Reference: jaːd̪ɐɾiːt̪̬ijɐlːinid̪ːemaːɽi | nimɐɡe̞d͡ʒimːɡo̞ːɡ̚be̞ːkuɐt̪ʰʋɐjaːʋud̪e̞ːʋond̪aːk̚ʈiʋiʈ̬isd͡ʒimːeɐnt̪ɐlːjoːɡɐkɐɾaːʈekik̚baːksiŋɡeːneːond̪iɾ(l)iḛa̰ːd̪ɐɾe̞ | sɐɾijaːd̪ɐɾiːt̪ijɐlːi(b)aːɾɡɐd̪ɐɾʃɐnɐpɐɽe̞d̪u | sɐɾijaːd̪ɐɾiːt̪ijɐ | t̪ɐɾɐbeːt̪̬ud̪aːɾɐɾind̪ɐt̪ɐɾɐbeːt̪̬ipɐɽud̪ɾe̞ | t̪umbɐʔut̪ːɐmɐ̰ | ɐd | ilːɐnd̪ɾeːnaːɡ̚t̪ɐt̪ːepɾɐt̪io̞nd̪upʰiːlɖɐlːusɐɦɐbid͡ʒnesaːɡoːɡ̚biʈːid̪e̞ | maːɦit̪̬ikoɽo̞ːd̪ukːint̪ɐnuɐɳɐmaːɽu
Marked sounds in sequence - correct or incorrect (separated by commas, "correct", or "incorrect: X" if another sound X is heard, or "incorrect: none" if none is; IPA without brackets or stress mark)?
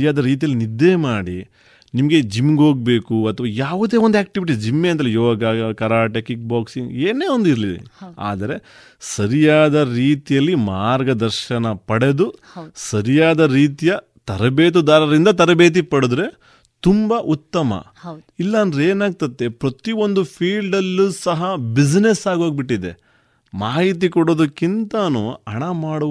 correct, incorrect: m